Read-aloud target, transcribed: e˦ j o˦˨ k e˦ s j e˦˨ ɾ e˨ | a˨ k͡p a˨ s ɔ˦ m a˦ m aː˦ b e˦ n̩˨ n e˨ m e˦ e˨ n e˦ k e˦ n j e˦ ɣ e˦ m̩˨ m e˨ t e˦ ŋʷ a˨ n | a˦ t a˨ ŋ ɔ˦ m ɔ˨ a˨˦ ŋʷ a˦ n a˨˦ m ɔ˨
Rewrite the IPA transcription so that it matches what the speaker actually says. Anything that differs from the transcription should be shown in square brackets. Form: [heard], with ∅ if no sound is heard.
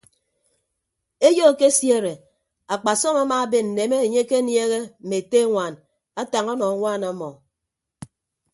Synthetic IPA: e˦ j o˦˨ k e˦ s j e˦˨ ɾ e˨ | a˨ k͡p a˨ s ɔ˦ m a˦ m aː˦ b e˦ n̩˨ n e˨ m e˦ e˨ [ɲ] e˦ k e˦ n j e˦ ɣ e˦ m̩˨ m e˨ t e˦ ŋʷ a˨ n | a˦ t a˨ ŋ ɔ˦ [n] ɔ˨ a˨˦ ŋʷ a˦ n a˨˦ m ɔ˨